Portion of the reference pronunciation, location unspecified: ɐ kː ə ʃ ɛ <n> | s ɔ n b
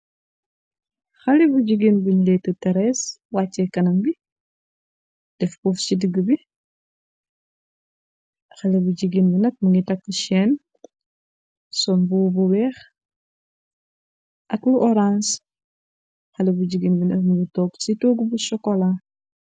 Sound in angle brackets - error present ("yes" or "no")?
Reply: no